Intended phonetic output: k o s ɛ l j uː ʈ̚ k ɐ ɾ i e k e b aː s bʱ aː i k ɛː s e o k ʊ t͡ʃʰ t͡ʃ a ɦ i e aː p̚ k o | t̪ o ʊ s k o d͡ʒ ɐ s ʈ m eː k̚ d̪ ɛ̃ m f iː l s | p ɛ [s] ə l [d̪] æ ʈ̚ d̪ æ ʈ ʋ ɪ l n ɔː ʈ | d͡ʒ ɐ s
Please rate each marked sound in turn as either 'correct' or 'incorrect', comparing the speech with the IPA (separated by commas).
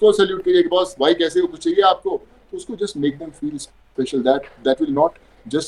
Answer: incorrect, correct